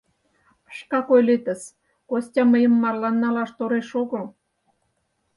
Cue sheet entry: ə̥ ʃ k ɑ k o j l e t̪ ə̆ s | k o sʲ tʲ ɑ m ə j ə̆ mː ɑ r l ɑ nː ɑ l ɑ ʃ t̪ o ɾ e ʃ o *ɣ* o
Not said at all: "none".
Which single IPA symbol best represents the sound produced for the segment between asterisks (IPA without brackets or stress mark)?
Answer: ɣ